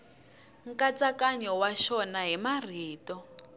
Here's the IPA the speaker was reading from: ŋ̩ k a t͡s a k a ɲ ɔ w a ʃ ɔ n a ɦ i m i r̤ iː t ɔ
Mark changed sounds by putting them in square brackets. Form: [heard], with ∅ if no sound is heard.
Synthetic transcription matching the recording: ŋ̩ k a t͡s a k a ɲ ɔ w a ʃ ɔ n a ɦ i m [a] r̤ iː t ɔ